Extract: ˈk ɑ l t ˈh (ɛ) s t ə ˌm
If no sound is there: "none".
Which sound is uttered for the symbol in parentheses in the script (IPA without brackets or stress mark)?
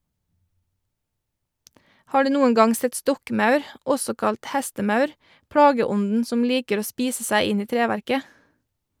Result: æ